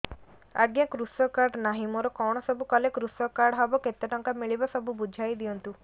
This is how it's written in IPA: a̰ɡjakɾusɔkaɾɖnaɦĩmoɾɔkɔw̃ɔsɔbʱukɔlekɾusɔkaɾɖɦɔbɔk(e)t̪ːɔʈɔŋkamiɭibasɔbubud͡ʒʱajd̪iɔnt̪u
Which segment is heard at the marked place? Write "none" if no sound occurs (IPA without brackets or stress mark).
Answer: e